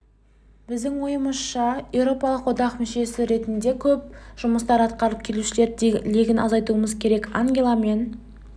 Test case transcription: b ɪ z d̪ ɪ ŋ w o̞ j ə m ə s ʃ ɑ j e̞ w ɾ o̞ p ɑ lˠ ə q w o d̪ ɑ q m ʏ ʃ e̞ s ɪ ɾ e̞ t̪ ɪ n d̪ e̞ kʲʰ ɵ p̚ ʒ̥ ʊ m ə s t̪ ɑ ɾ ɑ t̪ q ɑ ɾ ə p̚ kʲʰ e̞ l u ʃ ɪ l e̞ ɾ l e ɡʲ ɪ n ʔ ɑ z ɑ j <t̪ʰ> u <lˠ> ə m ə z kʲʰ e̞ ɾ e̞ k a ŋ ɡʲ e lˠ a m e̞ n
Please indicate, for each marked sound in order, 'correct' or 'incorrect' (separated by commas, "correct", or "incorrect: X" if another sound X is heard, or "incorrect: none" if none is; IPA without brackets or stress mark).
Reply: incorrect: t̪, incorrect: none